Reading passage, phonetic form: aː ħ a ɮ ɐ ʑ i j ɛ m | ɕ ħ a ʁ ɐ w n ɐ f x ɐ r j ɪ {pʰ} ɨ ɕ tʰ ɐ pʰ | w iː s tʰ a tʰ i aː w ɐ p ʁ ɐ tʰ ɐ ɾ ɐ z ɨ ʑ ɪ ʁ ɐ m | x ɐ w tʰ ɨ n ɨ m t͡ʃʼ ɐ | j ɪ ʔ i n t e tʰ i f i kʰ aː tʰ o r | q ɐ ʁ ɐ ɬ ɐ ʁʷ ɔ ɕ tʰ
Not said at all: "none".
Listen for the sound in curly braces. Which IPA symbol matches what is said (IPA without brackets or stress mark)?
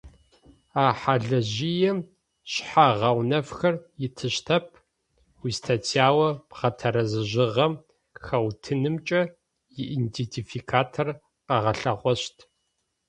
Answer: tʰ